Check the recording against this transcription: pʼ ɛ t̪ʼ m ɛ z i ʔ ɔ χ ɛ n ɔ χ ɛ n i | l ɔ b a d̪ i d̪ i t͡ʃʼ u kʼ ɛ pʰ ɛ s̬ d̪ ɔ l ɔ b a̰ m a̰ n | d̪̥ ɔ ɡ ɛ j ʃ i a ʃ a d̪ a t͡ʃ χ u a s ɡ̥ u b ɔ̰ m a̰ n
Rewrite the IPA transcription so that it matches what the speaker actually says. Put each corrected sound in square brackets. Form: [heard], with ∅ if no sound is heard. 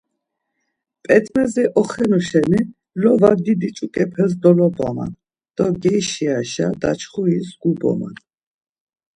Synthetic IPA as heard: pʼ ɛ t̪ʼ m ɛ z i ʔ ɔ χ ɛ n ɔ [ʃ] ɛ n i | l ɔ [v] a d̪ i d̪ i t͡ʃʼ u kʼ ɛ pʰ ɛ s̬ d̪ ɔ l ɔ b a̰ m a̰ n | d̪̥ ɔ ɡ ɛ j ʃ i a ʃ a d̪ a t͡ʃ χ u [i] s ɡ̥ u b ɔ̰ m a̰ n